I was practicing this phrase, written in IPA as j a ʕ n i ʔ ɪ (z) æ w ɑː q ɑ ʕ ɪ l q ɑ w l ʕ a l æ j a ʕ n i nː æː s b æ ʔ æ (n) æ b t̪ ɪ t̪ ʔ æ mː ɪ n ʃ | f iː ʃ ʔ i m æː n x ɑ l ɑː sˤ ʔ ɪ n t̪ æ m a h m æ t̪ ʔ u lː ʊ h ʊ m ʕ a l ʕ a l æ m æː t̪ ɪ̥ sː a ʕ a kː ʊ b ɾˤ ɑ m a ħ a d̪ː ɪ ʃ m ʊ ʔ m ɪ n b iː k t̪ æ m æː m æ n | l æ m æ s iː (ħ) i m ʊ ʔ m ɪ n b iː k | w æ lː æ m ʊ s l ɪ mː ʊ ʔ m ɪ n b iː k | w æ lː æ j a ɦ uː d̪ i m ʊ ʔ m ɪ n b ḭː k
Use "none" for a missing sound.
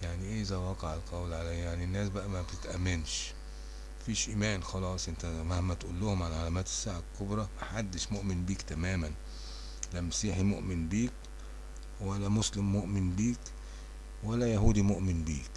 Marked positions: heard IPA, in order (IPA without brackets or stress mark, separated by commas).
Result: z, m, ħ